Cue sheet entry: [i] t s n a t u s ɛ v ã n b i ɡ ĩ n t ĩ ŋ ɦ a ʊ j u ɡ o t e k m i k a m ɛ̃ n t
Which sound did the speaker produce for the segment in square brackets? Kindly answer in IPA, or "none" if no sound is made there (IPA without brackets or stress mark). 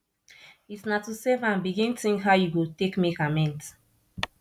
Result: i